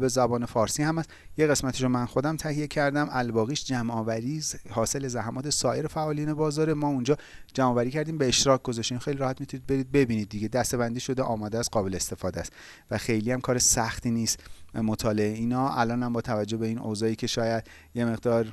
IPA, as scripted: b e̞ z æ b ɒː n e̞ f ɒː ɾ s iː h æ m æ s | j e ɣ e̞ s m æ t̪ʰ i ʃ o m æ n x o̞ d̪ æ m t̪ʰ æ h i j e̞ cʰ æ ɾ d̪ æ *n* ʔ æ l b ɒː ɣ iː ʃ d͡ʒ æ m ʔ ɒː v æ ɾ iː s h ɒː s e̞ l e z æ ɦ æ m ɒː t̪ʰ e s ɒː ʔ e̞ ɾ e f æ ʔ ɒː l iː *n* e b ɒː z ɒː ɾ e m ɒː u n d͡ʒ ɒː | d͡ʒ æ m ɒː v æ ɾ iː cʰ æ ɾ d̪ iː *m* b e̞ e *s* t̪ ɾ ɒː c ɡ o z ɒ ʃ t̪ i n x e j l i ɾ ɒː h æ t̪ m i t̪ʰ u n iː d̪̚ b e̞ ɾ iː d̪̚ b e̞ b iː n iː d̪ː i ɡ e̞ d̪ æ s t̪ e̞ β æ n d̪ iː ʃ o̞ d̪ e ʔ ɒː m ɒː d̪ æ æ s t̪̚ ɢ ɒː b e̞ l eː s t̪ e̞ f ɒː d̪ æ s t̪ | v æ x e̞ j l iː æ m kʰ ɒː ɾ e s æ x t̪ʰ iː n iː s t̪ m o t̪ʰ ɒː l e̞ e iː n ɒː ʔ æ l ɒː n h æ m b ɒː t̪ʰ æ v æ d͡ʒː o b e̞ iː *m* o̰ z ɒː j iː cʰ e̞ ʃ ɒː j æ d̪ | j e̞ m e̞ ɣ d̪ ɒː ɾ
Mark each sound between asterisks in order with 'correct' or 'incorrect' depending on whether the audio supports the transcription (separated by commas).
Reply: incorrect, correct, correct, incorrect, incorrect